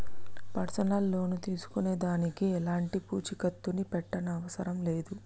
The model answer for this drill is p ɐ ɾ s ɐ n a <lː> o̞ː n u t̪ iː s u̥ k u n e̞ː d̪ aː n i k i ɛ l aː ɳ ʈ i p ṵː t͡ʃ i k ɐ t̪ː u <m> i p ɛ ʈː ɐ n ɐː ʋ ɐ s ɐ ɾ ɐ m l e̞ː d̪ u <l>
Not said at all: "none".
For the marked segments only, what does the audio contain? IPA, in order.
lː, n, none

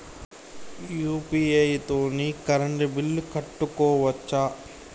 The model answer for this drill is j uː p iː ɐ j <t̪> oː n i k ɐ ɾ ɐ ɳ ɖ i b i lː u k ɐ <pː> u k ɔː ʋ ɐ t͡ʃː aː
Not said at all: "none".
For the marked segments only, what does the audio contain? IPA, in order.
t̪, ʈː

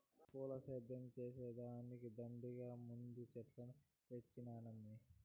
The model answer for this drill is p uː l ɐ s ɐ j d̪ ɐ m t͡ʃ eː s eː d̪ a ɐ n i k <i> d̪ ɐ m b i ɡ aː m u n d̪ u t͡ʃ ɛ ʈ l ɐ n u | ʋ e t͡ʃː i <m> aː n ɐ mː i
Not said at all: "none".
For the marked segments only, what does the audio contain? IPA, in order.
i, n

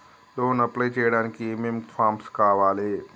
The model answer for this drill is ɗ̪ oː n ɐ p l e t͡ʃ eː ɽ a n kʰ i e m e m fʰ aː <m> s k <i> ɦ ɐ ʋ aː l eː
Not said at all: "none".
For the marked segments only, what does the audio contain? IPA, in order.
m, a

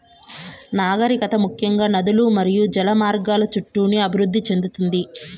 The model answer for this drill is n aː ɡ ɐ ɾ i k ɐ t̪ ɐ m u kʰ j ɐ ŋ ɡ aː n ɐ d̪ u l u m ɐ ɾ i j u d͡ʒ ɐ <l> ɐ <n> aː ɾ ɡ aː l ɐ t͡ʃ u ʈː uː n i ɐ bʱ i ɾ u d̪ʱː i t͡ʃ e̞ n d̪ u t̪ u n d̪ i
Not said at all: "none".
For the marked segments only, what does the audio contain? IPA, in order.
l, m

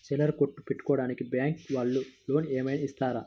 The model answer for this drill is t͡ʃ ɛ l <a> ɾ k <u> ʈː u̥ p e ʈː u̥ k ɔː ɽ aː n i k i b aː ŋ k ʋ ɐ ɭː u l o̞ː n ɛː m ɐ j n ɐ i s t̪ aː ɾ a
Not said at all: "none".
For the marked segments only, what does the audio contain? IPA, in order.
ɐ, o

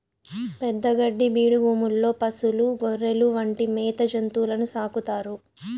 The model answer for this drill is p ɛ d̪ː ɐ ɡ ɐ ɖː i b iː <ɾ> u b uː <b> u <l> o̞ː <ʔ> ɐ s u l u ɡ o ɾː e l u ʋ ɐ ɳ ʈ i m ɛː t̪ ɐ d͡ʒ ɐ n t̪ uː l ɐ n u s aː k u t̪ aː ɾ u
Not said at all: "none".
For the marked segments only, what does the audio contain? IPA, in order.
ɽ, m, lː, p

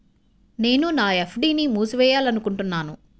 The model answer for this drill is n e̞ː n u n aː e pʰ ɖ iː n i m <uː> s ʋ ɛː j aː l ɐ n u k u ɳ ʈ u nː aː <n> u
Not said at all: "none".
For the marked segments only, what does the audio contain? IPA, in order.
uː, n

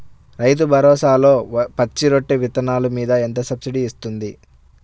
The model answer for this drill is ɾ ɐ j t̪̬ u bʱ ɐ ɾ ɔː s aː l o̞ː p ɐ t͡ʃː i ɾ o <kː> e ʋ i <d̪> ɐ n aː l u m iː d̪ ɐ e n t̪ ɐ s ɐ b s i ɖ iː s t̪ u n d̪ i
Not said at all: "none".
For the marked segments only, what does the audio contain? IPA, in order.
ʈː, t̪

